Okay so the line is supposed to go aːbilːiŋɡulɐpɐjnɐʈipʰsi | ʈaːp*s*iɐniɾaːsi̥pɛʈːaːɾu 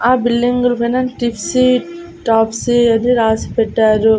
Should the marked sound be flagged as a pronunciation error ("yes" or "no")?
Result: no